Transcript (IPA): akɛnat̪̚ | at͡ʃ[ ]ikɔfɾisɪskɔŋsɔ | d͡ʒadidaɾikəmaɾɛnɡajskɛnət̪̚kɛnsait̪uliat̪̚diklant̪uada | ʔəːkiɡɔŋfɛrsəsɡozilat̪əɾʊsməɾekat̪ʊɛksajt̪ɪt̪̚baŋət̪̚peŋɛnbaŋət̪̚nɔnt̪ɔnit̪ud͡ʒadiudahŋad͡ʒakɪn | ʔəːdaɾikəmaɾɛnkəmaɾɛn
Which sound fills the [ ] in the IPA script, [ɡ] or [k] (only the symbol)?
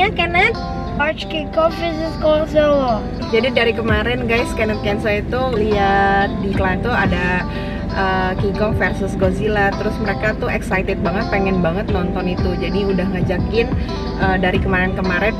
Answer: k